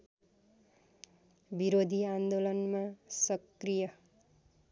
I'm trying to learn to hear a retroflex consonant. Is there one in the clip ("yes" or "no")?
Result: no